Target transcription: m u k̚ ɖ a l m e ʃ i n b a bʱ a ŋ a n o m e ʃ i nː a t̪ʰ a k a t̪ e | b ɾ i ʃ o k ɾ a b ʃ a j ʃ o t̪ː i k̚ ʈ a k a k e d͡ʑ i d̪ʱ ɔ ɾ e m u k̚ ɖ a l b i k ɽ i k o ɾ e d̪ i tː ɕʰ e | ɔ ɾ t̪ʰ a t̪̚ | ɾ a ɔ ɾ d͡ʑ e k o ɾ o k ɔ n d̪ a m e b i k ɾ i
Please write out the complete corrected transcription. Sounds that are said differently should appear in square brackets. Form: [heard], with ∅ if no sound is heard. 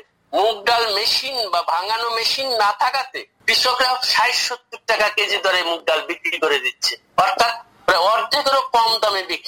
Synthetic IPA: m u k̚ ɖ a l m e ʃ i n b a bʱ a ŋ a n o m e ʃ i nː a t̪ʰ a k a t̪ e | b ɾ i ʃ o k ɾ a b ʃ a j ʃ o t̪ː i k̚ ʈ a k a k e d͡ʑ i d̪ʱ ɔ ɾ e m u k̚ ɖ a l b i k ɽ i k o ɾ e d̪ i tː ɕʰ e | ɔ ɾ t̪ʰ a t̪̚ | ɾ a ɔ ɾ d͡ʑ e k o ɾ o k ɔ [m] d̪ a m e b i k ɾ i